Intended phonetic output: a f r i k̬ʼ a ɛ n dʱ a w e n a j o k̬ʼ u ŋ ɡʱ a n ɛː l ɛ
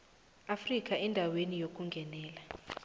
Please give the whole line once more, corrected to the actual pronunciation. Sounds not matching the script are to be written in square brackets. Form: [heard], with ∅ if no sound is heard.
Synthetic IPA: a f r i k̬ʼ a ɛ n dʱ a w e n [i] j o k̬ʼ u ŋ ɡʱ [ɛ] n ɛː l [a]